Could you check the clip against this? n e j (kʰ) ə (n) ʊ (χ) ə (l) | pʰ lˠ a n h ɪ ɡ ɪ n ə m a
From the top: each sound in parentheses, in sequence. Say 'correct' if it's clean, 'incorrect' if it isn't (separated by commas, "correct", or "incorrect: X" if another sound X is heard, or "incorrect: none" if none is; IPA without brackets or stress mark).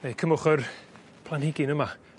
correct, incorrect: m, correct, incorrect: r